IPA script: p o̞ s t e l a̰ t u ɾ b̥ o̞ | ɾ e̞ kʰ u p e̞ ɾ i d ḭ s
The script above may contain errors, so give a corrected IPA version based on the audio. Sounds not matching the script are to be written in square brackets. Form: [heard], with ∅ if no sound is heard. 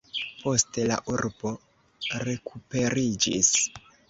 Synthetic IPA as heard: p o̞ s t e l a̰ [ʔ] u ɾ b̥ o̞ | ɾ e̞ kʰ u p e̞ ɾ i [d͡ʒ] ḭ s